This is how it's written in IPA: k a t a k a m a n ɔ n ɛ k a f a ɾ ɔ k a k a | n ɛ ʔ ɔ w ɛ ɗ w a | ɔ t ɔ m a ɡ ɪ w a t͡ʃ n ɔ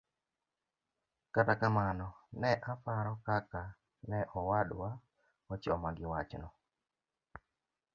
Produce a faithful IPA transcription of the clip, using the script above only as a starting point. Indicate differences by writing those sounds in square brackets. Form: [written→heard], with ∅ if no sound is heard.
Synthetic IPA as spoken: k a t a k a m a n ɔ n ɛ [k→ʔ] a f a ɾ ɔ k a k a | n ɛ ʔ ɔ w [ɛ→a] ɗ w a | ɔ [t→t͡ʃ] ɔ m a ɡ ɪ w a t͡ʃ n ɔ